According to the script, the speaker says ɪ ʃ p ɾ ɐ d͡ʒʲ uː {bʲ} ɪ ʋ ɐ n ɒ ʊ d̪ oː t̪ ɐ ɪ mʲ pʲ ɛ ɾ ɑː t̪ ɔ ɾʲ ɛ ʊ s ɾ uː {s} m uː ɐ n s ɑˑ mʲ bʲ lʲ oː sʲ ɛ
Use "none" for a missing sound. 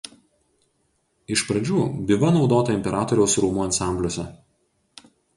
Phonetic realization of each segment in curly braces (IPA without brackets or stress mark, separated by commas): bʲ, none